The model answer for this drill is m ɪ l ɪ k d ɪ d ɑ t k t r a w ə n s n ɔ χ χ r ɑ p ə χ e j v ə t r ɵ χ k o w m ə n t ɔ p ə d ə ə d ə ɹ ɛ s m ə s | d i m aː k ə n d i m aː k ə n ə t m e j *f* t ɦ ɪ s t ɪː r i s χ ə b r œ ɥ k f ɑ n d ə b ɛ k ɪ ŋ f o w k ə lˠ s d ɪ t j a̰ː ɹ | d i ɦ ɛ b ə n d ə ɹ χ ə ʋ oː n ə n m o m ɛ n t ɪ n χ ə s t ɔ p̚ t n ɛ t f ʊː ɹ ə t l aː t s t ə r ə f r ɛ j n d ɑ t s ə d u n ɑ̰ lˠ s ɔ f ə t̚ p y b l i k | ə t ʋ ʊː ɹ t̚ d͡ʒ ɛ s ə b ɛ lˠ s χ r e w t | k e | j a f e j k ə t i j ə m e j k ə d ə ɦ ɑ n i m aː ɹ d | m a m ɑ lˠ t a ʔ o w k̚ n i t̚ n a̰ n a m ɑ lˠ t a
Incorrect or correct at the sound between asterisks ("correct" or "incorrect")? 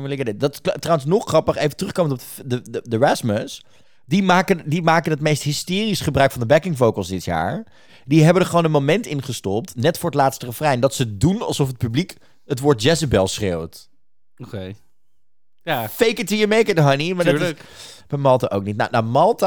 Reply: incorrect